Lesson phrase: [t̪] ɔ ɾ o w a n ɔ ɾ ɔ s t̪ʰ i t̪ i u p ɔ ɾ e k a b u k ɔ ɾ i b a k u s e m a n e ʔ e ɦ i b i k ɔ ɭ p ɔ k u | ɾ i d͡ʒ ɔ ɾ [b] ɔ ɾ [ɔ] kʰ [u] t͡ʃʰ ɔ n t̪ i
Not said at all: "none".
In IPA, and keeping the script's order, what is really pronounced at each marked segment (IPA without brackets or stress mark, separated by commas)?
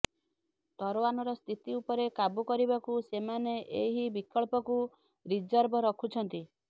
t̪, b, ɔ, u